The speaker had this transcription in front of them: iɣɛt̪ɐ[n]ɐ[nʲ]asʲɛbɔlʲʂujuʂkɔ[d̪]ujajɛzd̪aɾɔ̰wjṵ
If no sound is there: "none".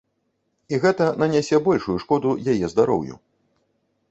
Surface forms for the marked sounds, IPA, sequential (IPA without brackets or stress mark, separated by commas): n, nʲ, d̪